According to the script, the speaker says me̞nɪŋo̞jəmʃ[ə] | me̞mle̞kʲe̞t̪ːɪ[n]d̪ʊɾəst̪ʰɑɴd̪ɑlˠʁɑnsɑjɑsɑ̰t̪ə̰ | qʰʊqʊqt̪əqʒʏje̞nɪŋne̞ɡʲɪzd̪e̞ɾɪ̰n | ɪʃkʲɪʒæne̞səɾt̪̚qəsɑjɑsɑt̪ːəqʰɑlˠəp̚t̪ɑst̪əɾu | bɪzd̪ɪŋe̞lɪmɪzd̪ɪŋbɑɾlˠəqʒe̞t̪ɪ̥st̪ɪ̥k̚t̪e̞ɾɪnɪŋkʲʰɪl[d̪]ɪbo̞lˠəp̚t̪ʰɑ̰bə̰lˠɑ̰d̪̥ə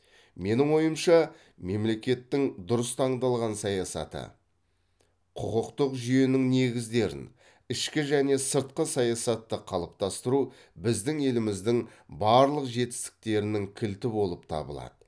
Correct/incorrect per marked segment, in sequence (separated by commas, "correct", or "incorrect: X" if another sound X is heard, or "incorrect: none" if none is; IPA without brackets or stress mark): incorrect: ɑ, incorrect: ŋ, incorrect: t̪